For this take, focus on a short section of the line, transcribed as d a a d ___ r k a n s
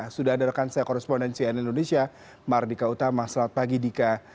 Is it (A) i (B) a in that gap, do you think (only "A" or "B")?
B